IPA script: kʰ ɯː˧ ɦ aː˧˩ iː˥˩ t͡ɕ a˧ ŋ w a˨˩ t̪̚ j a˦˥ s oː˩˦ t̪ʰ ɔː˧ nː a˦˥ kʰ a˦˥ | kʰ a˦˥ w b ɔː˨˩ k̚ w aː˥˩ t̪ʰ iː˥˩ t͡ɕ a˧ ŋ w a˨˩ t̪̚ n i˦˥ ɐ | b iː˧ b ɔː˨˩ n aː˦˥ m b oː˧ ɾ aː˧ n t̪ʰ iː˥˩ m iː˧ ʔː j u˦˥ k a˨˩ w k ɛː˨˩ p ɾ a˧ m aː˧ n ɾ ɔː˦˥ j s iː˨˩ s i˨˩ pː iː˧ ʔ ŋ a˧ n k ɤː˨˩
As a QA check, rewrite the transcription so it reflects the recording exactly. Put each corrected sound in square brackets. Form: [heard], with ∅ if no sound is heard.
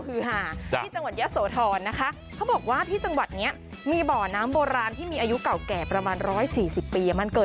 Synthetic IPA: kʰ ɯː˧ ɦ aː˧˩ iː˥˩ t͡ɕ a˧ ŋ w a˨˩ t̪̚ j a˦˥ s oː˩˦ t̪ʰ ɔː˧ nː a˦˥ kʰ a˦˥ | kʰ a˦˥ w b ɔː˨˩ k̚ w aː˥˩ t̪ʰ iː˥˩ t͡ɕ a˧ ŋ w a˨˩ t̪̚ n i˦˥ ɐ | [m] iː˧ b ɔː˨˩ n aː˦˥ m b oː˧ ɾ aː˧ n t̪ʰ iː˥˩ m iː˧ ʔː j u˦˥ k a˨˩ w k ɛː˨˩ p ɾ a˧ m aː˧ n ɾ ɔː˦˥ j s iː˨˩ s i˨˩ pː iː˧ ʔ [m] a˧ n k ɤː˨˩